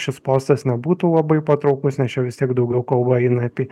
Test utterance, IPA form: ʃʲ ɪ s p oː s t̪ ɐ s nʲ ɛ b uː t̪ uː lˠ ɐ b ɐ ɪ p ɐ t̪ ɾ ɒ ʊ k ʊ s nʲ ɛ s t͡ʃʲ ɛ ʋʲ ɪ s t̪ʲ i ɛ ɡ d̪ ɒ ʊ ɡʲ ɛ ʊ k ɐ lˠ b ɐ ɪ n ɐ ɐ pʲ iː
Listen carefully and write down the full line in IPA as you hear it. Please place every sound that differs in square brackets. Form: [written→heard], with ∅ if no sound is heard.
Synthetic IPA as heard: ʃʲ ɪ s p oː s t̪ ɐ s nʲ ɛ b uː t̪ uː lˠ ɐ b ɐ ɪ p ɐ t̪ ɾ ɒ ʊ k ʊ s nʲ ɛ s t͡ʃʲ ɛ ʋʲ ɪ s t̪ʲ i ɛ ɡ d̪ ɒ ʊ ɡʲ ɛ ʊ k ɐ lˠ b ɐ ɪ n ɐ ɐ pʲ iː